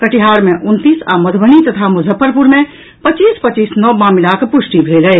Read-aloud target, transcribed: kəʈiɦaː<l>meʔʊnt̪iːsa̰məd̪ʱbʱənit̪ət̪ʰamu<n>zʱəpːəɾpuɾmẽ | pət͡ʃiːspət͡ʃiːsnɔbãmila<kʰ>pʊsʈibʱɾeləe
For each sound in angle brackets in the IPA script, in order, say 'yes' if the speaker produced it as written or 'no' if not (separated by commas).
no, no, no